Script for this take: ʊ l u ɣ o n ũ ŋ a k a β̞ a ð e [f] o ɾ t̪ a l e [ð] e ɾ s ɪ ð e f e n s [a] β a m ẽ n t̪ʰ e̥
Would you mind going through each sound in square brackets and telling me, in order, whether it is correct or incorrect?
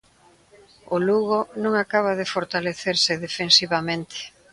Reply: correct, incorrect, incorrect

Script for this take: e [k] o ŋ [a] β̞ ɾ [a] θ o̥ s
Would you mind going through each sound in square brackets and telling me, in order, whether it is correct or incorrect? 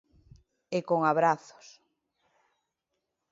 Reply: correct, correct, correct

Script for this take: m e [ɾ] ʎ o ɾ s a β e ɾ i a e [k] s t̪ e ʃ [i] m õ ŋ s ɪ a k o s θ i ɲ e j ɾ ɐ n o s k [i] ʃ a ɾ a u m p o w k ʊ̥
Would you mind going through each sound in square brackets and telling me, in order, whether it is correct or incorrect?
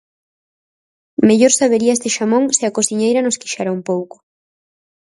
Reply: incorrect, incorrect, incorrect, correct

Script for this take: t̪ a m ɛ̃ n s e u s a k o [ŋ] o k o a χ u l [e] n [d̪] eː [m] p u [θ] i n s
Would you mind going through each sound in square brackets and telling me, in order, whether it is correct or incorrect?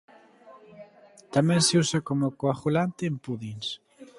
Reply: incorrect, incorrect, incorrect, correct, incorrect

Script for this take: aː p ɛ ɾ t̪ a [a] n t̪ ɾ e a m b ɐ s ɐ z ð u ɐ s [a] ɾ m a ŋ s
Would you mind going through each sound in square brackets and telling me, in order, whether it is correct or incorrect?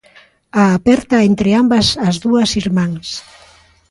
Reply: incorrect, incorrect

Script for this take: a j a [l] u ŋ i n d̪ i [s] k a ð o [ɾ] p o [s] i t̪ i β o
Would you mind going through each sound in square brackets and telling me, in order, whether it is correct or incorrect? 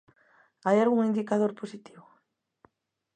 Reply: incorrect, incorrect, correct, correct

